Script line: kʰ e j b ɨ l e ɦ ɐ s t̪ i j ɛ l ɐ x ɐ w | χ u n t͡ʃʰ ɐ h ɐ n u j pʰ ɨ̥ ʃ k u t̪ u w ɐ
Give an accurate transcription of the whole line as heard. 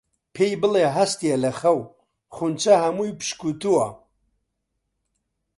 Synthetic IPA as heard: pʰ e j b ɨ l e ɦ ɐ s t̪ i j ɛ l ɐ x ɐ w | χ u n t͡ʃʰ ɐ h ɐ m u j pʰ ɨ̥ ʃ k u t̪ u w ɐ